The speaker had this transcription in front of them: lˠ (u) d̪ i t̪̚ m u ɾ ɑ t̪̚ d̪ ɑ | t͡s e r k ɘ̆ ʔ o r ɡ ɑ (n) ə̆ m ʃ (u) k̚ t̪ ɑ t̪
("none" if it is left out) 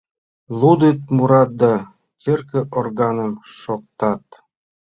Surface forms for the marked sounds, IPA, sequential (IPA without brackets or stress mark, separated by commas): u, n, o